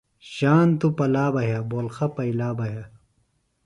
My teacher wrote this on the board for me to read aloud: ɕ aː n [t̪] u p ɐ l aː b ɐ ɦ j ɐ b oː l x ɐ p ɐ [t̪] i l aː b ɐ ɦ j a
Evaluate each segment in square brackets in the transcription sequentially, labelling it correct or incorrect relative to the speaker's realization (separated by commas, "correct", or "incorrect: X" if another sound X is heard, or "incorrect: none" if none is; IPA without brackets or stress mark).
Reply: correct, incorrect: none